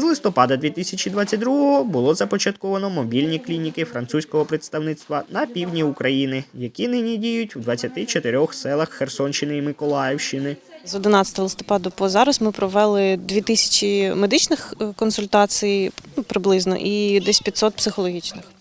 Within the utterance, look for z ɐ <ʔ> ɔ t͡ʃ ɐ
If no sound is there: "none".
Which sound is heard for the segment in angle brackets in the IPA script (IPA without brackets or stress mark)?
p